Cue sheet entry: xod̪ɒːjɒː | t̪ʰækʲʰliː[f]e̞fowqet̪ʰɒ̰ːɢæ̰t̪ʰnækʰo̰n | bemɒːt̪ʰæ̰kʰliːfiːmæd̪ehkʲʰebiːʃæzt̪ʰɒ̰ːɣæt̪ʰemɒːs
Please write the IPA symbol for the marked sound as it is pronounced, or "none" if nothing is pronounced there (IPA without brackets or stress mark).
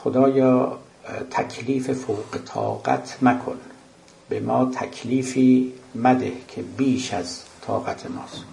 f